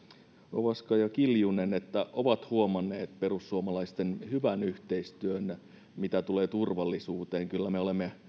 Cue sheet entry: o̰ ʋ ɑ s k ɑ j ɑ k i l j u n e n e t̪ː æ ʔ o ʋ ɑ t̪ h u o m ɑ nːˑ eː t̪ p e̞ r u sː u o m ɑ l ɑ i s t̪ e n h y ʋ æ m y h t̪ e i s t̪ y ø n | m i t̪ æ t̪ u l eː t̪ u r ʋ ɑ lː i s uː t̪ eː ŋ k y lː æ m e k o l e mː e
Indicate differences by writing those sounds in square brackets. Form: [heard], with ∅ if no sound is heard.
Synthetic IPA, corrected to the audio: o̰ ʋ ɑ s k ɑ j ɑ k i l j u n e n e t̪ː æ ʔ o ʋ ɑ t̪ h u o m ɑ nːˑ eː t̪ p e̞ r u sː u o m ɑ l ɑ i s t̪ e n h y ʋ æ [n] y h t̪ e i s t̪ y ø n | m i t̪ æ t̪ u l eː t̪ u r ʋ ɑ lː i s uː t̪ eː ŋ k y lː æ m e [∅] o l e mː e